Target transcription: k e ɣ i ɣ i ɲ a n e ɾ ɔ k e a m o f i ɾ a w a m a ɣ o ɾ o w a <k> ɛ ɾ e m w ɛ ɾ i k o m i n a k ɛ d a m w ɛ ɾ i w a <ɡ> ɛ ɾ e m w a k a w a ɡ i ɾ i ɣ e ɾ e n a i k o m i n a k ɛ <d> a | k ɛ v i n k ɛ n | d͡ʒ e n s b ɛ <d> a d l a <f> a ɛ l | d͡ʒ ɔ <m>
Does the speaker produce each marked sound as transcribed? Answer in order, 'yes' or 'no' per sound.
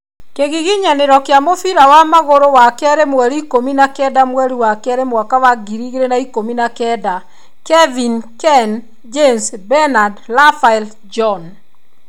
yes, no, yes, no, yes, no

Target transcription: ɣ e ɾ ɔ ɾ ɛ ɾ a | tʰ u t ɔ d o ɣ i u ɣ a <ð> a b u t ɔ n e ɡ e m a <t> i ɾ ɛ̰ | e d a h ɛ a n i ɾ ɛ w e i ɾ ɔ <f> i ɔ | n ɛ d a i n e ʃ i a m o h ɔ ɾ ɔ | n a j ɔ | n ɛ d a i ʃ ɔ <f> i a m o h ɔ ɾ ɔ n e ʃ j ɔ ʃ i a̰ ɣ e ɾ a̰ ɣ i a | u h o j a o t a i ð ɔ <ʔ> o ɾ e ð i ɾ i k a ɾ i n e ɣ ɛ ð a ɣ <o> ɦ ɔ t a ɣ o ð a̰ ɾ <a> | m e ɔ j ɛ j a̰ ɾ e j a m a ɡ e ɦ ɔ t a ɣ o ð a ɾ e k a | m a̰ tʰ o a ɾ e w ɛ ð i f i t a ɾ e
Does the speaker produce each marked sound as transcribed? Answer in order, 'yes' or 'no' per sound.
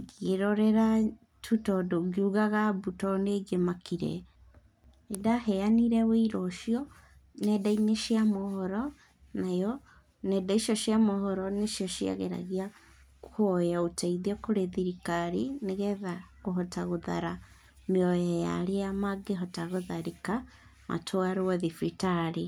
no, no, no, no, no, yes, yes

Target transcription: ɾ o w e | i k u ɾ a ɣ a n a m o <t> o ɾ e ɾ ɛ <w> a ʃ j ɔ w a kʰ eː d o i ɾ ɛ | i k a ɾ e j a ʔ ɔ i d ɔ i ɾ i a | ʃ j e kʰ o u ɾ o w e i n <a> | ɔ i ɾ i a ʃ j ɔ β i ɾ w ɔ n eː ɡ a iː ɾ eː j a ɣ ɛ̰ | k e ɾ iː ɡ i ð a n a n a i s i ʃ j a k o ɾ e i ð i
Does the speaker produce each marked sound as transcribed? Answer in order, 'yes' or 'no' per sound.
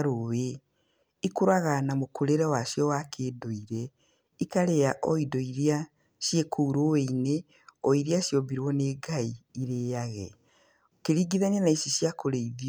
no, yes, no

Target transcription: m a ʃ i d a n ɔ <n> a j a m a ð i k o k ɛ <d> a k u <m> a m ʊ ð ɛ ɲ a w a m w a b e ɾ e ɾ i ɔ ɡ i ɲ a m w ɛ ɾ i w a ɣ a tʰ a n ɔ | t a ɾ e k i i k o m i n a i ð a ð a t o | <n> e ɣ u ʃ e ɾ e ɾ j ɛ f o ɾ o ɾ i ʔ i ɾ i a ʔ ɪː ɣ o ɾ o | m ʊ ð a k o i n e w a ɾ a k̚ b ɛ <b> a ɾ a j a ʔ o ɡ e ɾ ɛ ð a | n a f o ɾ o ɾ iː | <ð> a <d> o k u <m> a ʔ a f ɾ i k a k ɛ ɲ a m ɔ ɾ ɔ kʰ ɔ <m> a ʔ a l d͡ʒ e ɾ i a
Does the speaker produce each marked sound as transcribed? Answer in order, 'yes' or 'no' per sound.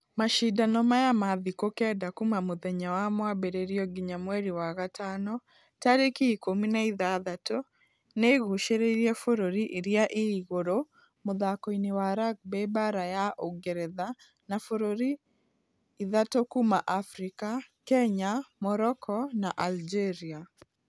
no, yes, yes, yes, yes, yes, no, yes, no

